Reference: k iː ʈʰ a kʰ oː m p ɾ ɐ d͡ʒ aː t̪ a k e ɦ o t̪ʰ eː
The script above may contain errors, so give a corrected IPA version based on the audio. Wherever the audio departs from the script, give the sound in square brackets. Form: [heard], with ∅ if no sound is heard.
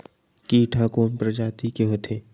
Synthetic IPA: k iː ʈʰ a [k] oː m p ɾ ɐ d͡ʒ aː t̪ [i] k e ɦ o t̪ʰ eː

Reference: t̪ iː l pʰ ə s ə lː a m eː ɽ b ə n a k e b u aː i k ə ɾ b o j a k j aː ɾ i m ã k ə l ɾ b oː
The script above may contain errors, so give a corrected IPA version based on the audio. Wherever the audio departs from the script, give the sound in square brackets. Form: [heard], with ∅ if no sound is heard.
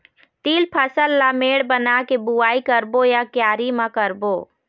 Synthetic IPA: t̪ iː l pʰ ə s ə lː a m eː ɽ b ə n a k e b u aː i k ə ɾ b o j a k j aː ɾ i m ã k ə [∅] ɾ b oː

